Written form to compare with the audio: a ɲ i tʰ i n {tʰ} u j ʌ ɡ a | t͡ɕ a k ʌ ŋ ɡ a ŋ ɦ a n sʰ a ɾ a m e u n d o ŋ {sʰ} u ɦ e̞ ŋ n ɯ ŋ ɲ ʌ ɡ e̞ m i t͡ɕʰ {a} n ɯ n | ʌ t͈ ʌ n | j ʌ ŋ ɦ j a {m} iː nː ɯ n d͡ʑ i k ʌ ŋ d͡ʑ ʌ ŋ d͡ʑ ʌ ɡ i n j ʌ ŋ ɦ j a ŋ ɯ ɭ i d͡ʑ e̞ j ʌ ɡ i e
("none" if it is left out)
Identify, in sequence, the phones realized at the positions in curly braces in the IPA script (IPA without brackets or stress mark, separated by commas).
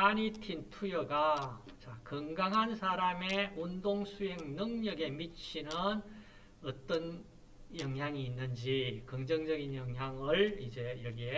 tʰ, sʰ, i, ŋ